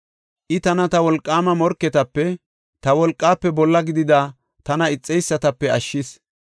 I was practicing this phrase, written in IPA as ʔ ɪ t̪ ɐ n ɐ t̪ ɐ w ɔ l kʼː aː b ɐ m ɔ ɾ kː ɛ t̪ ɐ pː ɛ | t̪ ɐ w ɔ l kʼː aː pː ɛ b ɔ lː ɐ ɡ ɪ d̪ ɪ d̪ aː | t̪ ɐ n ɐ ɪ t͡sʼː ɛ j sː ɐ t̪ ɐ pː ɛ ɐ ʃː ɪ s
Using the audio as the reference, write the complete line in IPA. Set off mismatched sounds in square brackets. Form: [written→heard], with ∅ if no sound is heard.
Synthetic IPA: ʔ ɪ t̪ ɐ n ɐ t̪ ɐ w ɔ l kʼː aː [b→m] ɐ m ɔ ɾ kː ɛ t̪ ɐ pː ɛ | t̪ ɐ w ɔ l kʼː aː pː ɛ b ɔ lː ɐ ɡ ɪ d̪ ɪ d̪ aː | t̪ ɐ n ɐ ɪ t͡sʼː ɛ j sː ɐ t̪ ɐ pː ɛ ɐ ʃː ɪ s